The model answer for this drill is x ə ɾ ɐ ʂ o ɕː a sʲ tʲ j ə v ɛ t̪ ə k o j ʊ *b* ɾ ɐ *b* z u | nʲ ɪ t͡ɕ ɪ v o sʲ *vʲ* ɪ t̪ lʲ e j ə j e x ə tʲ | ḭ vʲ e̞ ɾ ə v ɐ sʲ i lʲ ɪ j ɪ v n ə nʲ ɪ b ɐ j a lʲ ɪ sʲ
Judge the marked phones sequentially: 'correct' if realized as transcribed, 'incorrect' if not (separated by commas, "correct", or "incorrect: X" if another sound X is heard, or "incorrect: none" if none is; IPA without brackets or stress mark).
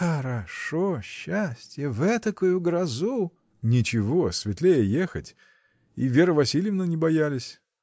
incorrect: ɡ, incorrect: none, correct